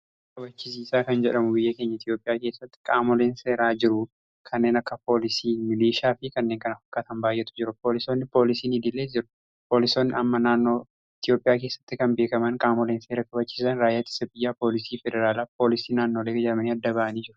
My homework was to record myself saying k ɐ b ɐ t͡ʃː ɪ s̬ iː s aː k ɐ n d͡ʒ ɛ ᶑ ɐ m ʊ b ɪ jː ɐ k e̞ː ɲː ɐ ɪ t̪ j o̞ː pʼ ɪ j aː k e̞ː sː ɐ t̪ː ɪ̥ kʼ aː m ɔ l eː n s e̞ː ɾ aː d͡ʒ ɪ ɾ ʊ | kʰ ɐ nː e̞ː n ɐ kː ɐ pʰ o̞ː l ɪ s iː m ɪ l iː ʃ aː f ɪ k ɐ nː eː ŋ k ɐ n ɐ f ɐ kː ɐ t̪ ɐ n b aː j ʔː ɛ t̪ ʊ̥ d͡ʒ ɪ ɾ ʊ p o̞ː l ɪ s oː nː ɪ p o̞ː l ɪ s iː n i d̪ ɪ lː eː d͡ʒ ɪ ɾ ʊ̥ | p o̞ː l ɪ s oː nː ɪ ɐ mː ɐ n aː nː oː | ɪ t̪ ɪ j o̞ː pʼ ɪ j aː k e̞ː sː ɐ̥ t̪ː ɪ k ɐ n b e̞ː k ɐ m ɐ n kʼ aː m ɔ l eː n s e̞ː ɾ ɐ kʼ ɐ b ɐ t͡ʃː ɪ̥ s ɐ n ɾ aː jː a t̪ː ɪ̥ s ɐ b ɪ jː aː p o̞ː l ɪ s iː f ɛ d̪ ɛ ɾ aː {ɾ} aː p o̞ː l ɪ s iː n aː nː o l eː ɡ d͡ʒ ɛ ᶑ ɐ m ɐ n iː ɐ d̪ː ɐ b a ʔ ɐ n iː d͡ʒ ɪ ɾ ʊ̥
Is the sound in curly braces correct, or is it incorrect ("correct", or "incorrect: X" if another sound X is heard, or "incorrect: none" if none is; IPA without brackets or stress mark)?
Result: incorrect: l